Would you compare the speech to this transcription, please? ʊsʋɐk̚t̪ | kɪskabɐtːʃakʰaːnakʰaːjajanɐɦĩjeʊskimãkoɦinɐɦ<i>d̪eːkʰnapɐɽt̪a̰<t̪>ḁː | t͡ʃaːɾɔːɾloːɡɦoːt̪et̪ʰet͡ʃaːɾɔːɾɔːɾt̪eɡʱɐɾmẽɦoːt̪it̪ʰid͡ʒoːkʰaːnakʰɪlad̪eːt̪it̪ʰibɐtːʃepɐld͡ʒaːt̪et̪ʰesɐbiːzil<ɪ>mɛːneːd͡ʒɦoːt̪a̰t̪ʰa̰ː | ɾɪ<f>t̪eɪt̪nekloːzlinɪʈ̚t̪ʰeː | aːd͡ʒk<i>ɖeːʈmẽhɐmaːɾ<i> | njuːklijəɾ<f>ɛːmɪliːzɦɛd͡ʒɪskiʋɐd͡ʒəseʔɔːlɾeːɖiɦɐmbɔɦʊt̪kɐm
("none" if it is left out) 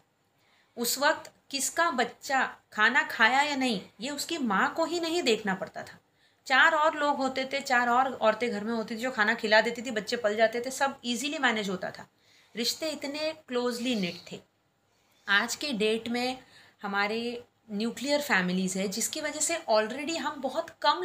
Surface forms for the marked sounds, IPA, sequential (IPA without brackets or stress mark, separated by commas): ĩ, t̪ʰ, i, ʃ, e, e, f